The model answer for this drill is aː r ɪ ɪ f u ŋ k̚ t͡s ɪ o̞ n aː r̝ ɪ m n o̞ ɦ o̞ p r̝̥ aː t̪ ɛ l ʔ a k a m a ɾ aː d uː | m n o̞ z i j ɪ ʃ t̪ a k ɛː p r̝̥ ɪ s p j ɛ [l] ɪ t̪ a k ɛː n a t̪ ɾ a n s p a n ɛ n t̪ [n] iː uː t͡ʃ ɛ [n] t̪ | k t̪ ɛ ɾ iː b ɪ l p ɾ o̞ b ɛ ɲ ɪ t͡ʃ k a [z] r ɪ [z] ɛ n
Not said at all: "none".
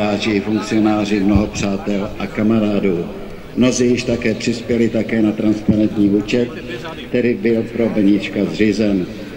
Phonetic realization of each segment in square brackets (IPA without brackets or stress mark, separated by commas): l, ɲ, none, z, z